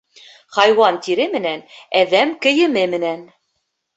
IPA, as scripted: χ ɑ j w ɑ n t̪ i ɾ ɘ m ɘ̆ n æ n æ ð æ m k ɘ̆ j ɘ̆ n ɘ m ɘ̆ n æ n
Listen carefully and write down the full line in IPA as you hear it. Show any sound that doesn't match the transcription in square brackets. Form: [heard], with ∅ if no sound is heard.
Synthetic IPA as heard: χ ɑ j w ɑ n t̪ i ɾ ɘ m ɘ̆ n æ n æ ð æ m k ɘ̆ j ɘ̆ [m] ɘ m ɘ̆ n æ n